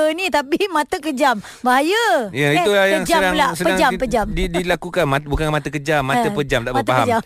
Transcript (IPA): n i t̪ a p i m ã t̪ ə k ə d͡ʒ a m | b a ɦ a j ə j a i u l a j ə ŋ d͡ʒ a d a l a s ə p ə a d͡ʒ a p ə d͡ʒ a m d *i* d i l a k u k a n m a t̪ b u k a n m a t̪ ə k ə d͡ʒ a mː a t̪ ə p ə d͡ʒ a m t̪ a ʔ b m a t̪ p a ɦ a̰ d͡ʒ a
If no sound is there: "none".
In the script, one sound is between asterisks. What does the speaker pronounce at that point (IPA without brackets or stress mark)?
i